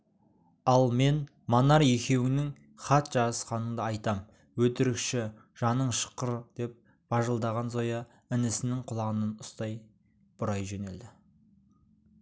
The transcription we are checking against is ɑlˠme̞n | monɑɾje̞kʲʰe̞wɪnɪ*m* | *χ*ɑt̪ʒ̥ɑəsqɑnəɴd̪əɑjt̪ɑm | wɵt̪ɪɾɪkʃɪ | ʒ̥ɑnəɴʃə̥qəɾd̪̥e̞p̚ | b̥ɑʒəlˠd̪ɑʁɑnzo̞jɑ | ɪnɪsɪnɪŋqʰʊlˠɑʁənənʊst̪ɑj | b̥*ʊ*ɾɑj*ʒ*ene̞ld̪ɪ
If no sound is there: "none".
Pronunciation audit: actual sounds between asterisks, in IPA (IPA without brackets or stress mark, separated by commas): ŋ, χ, ʊ, ʒ